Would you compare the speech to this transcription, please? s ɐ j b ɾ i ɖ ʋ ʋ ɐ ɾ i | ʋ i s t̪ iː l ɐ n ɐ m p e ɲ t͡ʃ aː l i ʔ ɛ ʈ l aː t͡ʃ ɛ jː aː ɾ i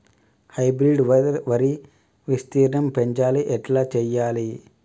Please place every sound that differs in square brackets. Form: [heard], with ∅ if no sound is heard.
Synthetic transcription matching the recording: [h] ɐ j b ɾ i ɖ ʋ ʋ ɐ ɾ i | ʋ i s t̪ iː [ɾ] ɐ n ɐ m p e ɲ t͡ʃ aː l i ʔ ɛ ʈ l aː t͡ʃ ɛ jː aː [l] i